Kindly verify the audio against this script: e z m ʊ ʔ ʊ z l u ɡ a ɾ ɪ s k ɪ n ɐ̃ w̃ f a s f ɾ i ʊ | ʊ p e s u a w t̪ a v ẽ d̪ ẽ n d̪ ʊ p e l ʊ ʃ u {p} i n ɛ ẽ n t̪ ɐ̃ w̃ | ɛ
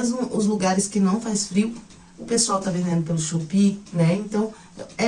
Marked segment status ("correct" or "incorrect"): correct